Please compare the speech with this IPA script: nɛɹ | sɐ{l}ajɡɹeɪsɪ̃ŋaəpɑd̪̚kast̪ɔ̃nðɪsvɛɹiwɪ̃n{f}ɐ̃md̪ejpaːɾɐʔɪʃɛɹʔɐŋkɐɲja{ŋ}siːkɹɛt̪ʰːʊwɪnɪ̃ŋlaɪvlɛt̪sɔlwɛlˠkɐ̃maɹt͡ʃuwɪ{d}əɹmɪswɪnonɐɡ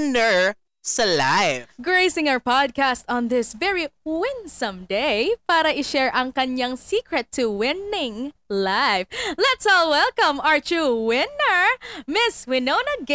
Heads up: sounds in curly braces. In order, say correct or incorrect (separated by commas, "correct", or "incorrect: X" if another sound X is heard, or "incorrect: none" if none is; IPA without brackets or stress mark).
correct, incorrect: s, correct, incorrect: n